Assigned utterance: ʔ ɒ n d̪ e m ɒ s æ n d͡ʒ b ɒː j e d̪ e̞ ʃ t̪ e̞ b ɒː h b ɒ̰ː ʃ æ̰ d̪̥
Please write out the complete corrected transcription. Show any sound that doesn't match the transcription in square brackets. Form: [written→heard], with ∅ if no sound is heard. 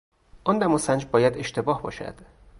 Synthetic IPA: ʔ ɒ n d̪ [e→æ] m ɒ s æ n d͡ʒ b ɒː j [e→æ] d̪ e̞ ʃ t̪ e̞ b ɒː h b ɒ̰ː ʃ æ̰ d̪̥